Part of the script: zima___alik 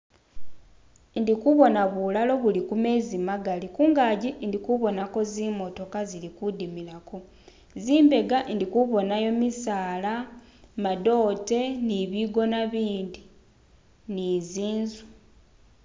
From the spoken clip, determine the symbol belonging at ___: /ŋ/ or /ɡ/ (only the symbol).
ɡ